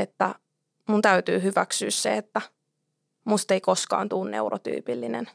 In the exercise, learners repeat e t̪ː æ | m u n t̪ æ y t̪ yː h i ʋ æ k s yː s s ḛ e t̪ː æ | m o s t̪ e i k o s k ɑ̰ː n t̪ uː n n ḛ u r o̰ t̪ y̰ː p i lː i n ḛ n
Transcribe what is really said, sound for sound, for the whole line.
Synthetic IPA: e t̪ː æ | m u n t̪ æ y t̪ yː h y ʋ æ k s yː s s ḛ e t̪ː æ | m u s t̪ e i k o s k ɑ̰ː n t̪ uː n n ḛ u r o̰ t̪ y̰ː p i lː i n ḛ n